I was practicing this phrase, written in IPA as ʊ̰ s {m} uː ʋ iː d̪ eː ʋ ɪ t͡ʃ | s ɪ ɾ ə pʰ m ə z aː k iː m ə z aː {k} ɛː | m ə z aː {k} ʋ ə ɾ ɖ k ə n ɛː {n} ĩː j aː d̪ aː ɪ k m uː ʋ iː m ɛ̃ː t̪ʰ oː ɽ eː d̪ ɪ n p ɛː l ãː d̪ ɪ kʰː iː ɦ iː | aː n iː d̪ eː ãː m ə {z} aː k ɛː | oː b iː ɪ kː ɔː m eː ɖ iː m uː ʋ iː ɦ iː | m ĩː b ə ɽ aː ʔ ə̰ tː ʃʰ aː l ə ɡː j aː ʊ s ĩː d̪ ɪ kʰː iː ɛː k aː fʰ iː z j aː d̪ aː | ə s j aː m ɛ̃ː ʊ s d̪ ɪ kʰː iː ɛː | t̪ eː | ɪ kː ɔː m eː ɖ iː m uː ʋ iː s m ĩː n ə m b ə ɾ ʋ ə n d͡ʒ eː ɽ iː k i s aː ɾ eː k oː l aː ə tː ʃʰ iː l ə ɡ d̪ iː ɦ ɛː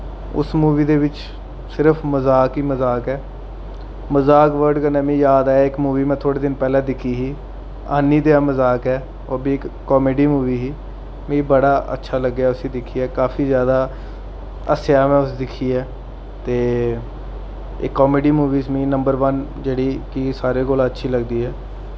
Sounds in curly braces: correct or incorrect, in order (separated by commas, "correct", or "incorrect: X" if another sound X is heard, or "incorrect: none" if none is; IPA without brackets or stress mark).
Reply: correct, correct, correct, incorrect: m, correct